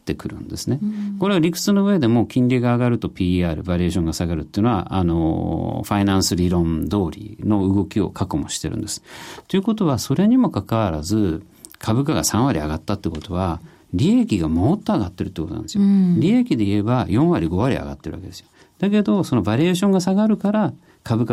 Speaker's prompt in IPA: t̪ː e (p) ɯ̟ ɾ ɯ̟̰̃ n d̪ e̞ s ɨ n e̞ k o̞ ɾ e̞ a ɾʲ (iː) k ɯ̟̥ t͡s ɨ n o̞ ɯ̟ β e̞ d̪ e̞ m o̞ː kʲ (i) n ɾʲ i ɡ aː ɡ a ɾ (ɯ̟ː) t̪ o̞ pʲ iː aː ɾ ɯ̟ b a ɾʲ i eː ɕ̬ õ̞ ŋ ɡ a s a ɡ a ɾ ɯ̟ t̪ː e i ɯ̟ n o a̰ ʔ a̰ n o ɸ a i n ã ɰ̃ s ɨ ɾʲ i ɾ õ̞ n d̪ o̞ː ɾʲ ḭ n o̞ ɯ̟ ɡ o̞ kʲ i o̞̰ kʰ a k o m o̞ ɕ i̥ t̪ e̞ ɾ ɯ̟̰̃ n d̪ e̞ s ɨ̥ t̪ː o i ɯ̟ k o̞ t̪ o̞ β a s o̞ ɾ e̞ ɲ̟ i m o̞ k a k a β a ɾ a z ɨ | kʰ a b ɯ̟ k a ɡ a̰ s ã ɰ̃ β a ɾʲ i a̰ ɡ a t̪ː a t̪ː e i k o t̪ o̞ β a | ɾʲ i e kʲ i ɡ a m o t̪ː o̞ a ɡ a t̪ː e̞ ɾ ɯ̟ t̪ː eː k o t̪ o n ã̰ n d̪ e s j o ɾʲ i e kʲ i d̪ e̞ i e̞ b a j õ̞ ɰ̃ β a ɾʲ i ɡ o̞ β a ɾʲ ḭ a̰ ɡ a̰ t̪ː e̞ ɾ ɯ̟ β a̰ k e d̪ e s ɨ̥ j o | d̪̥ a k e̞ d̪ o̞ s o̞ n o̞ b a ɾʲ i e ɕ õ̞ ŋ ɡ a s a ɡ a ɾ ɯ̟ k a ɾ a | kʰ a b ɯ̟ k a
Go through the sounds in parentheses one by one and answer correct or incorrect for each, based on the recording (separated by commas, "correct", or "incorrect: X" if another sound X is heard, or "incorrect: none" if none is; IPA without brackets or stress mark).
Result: incorrect: k, incorrect: i, incorrect: ĩ, incorrect: ɯ̟